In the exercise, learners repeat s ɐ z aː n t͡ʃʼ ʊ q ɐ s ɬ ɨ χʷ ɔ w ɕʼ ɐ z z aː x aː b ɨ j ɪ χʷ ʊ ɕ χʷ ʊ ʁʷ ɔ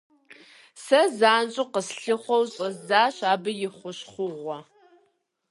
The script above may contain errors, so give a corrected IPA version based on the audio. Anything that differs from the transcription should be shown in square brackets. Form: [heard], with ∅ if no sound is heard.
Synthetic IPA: s ɐ z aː n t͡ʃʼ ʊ q [ə] s ɬ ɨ χʷ ɔ w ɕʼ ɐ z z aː [ɕ] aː b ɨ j ɪ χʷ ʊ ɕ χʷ ʊ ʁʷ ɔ